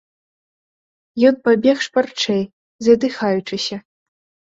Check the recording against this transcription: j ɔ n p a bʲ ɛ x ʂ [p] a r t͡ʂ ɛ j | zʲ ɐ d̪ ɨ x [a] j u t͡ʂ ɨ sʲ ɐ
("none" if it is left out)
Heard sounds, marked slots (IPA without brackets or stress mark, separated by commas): p, a